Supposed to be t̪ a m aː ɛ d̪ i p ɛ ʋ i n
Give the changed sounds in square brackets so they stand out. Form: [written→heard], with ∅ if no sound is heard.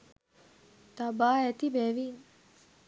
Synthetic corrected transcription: t̪ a [m→b] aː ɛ [d̪→t̪] i [p→b] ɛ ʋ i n